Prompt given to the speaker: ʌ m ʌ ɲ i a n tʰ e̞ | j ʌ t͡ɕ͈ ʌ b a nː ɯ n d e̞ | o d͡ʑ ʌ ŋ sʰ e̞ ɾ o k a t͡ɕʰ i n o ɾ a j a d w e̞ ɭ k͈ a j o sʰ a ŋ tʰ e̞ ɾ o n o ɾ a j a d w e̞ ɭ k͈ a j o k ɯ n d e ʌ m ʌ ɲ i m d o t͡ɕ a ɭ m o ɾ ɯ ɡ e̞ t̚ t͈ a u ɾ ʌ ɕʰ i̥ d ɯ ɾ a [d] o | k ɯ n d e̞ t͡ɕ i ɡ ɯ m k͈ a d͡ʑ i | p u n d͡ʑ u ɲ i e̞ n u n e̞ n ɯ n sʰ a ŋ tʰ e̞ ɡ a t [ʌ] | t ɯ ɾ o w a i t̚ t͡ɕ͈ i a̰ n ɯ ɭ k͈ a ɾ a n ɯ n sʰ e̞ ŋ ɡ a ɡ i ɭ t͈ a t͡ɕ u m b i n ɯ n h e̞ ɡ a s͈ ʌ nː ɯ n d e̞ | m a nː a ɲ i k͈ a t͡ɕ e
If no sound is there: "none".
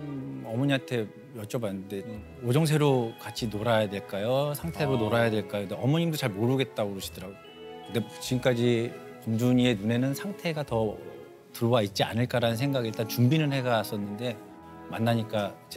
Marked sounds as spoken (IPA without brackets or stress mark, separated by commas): ɡ, ʌ